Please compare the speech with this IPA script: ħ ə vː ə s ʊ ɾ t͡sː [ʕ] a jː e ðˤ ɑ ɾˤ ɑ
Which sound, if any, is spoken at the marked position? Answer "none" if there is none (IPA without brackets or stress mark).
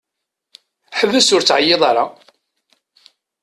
ʕ